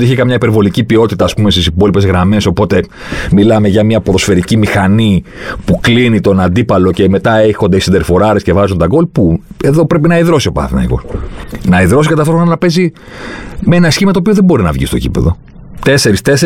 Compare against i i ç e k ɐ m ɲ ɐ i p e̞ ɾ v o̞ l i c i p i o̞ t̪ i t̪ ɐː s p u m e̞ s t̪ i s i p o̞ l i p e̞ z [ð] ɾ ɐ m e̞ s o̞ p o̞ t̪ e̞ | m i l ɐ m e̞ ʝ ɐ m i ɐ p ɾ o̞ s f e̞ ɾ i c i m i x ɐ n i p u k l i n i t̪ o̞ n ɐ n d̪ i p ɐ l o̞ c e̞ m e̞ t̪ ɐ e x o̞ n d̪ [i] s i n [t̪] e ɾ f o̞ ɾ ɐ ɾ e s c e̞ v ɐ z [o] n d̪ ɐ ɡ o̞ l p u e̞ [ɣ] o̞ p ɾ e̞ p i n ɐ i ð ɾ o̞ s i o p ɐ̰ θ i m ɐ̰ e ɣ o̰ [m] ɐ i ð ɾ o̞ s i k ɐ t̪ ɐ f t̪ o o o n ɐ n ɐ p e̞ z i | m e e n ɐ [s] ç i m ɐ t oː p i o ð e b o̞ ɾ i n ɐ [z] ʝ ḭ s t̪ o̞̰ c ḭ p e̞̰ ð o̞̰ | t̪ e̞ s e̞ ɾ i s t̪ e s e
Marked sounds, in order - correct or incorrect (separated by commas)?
incorrect, incorrect, incorrect, incorrect, incorrect, incorrect, correct, incorrect